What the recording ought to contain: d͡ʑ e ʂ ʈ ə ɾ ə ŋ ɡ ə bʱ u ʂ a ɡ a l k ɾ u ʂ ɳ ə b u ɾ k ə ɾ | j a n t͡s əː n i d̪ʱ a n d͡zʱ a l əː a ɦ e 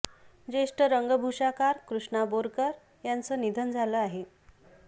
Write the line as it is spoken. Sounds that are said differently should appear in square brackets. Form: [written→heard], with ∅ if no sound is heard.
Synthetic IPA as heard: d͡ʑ e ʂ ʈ ə ɾ ə ŋ ɡ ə bʱ u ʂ a [ɡ→k] a [l→ɾ] k ɾ u ʂ ɳ [ə→a] b [u→o] ɾ k ə ɾ | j a n t͡s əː n i d̪ʱ [a→ə] n d͡zʱ a l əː a ɦ e